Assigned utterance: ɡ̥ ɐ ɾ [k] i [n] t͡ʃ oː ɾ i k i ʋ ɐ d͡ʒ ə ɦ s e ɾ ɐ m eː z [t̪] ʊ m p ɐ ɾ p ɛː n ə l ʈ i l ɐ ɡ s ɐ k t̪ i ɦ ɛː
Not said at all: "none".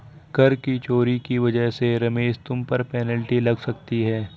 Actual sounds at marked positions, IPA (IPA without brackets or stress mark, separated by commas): k, none, t̪